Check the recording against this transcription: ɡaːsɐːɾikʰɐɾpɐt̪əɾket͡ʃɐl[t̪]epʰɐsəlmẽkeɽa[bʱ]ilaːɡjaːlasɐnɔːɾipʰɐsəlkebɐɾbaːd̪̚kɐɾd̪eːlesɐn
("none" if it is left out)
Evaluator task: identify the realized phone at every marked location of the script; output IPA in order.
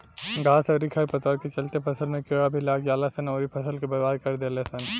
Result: t̪, bʱ

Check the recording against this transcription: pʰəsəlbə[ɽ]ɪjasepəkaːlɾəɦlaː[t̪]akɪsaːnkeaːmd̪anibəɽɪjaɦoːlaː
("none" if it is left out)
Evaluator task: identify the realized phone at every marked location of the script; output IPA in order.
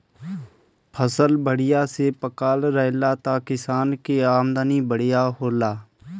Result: ɽ, t̪

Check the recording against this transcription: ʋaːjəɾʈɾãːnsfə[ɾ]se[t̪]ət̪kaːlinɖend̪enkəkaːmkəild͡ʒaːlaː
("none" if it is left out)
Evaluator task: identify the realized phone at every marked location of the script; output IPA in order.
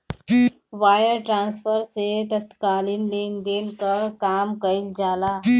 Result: ɾ, t̪

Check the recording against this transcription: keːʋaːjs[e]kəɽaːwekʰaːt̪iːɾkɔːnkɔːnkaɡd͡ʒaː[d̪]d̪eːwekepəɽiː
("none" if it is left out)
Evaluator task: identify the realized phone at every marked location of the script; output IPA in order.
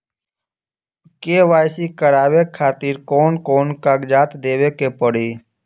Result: i, t̪

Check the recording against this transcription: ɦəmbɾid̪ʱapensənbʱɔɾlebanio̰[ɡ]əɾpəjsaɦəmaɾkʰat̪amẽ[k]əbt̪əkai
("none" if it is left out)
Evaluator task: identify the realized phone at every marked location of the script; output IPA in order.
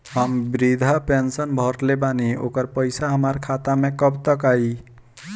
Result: k, k

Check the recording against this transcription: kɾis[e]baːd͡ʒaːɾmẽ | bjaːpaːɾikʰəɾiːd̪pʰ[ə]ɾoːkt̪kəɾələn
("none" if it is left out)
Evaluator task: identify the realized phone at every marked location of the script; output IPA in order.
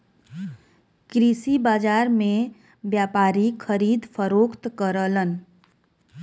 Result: i, ə

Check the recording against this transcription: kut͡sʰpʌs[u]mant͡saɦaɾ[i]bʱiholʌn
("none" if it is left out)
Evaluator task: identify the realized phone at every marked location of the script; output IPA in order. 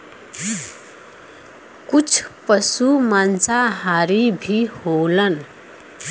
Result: u, i

